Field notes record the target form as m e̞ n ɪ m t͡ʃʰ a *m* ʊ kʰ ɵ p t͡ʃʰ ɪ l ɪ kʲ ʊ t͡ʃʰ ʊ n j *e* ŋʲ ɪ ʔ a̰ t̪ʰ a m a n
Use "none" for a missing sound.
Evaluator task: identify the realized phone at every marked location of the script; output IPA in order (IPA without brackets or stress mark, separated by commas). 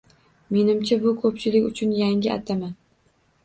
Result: b, a